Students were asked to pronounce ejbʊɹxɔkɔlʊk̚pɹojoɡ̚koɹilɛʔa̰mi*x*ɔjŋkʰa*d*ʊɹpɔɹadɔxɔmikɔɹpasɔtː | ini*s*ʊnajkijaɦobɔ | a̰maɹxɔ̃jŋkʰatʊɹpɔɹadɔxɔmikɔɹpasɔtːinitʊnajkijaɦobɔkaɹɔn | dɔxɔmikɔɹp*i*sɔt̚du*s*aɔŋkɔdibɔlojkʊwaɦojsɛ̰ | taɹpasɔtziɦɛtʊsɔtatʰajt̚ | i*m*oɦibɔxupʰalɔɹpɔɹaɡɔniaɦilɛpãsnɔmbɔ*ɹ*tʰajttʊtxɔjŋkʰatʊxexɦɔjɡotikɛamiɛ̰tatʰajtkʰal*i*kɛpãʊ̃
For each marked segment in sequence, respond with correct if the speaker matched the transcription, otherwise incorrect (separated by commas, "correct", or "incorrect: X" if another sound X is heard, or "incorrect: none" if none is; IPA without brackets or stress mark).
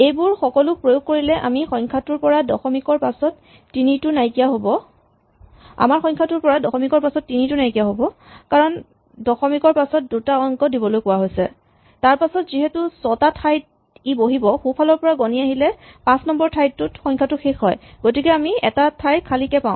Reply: correct, incorrect: t, incorrect: t, incorrect: a, incorrect: t, incorrect: b, correct, correct